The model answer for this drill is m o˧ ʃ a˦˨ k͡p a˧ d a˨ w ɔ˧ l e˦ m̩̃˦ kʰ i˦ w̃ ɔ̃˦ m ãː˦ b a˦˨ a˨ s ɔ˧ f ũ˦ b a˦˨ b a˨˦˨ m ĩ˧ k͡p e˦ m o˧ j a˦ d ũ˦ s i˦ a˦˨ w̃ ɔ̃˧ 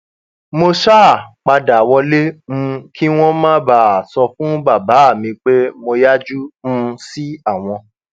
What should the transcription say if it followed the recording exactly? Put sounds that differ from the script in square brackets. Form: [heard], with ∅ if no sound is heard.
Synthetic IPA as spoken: m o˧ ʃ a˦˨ k͡p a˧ d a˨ w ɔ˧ l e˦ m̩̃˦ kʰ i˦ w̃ ɔ̃˦ m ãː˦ b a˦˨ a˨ s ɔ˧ f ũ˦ b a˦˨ b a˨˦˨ m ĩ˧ k͡p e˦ m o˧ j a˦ [d͡ʒ] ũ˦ s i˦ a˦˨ w̃ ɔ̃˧